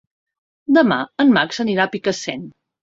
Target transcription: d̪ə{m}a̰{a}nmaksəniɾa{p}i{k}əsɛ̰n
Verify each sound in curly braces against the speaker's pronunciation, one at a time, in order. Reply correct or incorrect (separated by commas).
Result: correct, incorrect, correct, correct